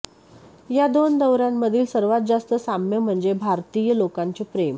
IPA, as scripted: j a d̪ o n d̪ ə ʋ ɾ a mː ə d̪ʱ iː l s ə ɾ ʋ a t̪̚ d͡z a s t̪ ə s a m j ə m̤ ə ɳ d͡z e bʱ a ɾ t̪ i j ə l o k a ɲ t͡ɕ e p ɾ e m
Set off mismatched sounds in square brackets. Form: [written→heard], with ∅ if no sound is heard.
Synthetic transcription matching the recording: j a d̪ o n d̪ ə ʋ ɾ a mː ə d̪ʱ iː l s ə ɾ ʋ a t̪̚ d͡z a s t̪ ə s a m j ə m̤ ə ɳ d͡z e bʱ a ɾ t̪ i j ə l o k a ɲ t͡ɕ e p ɾ e m

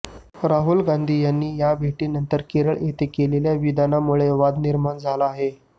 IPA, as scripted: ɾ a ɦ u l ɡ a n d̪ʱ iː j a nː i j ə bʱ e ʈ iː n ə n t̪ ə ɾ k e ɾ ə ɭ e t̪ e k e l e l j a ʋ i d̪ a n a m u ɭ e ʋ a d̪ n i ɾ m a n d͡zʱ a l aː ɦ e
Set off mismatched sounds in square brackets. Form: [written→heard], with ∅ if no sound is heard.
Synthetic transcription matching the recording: ɾ a ɦ u l ɡ a n d̪ʱ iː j a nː [i→iː] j [ə→a] bʱ e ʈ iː n ə n t̪ ə ɾ k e ɾ ə ɭ e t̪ e k e l e l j a ʋ i d̪ a n a m u ɭ e ʋ a d̪ n i ɾ m a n d͡zʱ a l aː ɦ e

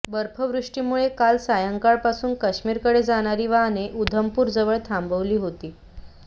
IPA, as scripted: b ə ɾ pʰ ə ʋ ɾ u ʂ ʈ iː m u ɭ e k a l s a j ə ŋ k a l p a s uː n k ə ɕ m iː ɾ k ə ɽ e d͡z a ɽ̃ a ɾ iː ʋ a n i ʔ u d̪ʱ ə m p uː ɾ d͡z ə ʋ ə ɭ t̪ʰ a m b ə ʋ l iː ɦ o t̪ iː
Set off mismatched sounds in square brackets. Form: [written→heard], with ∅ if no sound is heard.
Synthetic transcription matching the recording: b ə ɾ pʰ ə ʋ ɾ u ʂ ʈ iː m u ɭ e k a l s a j ə ŋ k a [l→ɭ] p a s uː n k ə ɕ m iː ɾ k ə ɽ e d͡z a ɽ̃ a ɾ iː ʋ a n [i→e] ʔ u d̪ʱ ə m p uː ɾ d͡z ə ʋ ə ɭ t̪ʰ a m b ə ʋ l iː ɦ o t̪ iː

